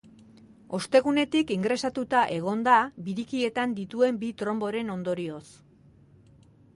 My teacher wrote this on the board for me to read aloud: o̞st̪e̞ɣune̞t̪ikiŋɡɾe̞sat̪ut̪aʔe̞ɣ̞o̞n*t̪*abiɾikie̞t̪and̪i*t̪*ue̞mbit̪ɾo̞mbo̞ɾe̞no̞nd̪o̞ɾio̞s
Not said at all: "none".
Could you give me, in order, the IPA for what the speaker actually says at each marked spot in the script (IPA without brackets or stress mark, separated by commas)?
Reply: d̪, t̪